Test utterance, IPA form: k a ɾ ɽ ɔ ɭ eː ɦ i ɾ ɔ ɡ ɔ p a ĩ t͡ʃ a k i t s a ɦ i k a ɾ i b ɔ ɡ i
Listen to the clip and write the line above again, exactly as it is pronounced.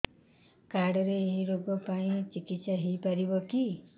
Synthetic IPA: k a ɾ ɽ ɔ ɾ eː ɦ i ɾ o ɡ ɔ p a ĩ t͡ʃ i k i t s a ɦ i p a ɾ i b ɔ k i